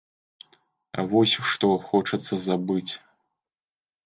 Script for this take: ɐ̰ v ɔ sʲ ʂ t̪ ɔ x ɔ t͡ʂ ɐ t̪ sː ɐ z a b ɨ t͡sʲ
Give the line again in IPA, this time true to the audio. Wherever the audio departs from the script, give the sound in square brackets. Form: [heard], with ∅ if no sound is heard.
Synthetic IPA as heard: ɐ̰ v ɔ sʲ ʂ t̪ ɔ x ɔ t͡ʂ ɐ t̪ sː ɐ z a b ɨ t͡sʲ